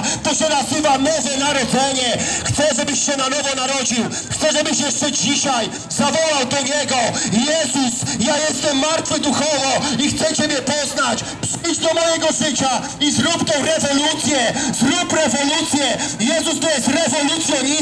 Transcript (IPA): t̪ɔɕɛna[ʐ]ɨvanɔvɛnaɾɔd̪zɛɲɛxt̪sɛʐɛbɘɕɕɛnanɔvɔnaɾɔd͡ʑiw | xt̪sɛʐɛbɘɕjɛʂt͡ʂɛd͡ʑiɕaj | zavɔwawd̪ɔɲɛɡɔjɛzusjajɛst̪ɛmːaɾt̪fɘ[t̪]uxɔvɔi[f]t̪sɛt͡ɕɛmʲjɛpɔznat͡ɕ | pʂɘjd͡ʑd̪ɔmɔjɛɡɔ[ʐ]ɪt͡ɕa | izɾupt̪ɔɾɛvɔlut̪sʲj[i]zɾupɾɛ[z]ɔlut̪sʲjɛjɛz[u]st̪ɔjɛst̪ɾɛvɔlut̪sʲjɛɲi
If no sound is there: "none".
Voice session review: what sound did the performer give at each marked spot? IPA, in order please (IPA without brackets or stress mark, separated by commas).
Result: z, d̪, x, ʐ, ɛ, v, u